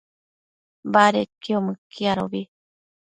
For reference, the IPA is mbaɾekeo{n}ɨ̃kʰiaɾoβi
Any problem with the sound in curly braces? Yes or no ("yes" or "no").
yes